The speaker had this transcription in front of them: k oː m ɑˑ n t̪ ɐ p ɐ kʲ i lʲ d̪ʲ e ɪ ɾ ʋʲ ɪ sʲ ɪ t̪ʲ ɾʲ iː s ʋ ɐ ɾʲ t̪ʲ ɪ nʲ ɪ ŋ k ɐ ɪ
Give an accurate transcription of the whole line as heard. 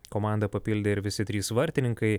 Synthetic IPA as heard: k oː m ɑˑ n d̪ ɐ p ɐ pʲ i lʲ d̪ʲ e ɪ ɾ ʋʲ ɪ sʲ ɪ t̪ʲ ɾʲ iː s ʋ ɐ ɾʲ t̪ʲ ɪ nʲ ɪ ŋ k ɐ ɪ